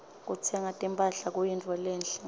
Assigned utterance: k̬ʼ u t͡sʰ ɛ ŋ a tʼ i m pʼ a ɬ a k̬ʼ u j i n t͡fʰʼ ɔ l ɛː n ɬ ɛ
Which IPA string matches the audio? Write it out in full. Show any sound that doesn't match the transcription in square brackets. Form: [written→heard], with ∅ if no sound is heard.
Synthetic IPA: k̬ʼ u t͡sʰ ɛ ŋ a tʼ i m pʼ a ɬ a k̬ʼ u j i n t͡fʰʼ ɔ l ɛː n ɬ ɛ